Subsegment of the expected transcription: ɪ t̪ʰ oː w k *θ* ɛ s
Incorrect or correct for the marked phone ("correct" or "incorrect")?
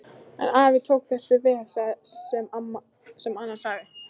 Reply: correct